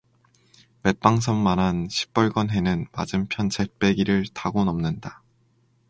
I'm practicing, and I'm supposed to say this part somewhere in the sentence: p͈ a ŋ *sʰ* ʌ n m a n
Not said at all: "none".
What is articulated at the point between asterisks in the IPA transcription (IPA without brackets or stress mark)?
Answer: sʰ